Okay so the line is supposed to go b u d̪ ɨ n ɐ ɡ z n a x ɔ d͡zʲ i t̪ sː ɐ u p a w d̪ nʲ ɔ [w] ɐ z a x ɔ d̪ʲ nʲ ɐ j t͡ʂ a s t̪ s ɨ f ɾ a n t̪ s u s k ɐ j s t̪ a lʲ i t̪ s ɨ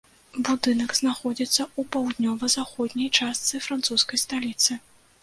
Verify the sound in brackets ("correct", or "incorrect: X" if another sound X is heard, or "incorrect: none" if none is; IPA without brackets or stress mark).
incorrect: v